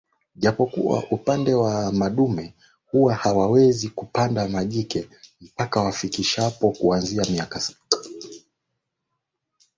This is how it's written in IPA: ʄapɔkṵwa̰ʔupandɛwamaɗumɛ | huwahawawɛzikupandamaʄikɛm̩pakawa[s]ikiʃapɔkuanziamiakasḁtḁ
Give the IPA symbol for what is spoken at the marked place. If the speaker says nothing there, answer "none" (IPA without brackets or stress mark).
f